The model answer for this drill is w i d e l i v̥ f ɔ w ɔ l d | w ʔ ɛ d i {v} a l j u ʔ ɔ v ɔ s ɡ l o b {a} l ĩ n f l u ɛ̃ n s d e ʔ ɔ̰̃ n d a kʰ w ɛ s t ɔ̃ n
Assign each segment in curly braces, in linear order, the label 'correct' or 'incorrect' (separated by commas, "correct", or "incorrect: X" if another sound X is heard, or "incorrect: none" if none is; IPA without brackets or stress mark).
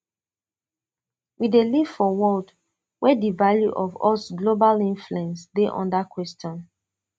correct, correct